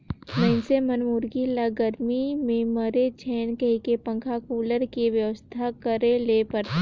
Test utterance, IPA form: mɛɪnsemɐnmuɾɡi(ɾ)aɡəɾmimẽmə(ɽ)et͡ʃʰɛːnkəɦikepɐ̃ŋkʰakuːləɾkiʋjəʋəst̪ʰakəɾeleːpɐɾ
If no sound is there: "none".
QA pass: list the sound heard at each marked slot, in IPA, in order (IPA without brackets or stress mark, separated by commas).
l, ɾ